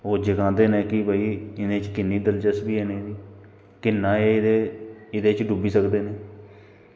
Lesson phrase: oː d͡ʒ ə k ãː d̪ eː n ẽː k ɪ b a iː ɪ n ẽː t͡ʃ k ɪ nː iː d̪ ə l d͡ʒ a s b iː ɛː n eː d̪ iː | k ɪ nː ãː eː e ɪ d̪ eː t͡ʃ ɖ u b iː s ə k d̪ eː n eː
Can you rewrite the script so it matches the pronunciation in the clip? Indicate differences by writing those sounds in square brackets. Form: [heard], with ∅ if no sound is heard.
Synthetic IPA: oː d͡ʒ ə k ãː d̪ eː n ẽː k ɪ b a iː ɪ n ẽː t͡ʃ k ɪ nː iː d̪ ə l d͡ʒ [ə] s b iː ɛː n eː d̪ iː | k ɪ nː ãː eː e ɪ d̪ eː t͡ʃ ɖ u b iː s ə k d̪ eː n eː

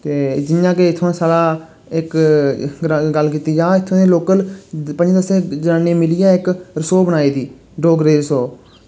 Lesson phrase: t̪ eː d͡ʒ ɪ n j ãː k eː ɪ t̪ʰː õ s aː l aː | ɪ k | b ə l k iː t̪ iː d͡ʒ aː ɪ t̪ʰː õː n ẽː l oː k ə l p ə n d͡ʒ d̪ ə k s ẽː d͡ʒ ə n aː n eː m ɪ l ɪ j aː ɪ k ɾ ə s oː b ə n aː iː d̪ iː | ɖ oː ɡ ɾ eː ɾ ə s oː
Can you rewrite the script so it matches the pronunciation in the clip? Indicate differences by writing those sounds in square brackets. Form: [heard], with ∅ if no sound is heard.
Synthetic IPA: t̪ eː d͡ʒ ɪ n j ãː k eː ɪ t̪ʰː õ s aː l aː | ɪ k | [ɡ] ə l k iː t̪ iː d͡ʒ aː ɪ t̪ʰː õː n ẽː l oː k ə l p ə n d͡ʒ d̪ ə [∅] s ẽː d͡ʒ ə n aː n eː m ɪ l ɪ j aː ɪ k ɾ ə s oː b ə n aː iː d̪ iː | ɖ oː ɡ ɾ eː ɾ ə s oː

